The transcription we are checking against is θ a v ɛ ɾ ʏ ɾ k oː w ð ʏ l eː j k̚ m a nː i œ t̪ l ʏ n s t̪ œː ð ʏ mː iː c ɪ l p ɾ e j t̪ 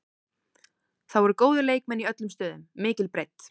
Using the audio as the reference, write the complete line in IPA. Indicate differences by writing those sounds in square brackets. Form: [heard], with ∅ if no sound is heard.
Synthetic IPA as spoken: θ a [w] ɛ ɾ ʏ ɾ k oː w ð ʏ l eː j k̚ m [ɛ] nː i œ t̪ l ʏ [m] s t̪ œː ð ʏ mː [ɪː] c ɪ l p ɾ e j t̪